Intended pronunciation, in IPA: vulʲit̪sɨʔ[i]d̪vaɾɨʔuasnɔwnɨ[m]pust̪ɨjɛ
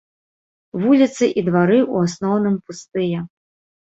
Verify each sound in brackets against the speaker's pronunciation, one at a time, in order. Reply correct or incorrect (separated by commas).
correct, correct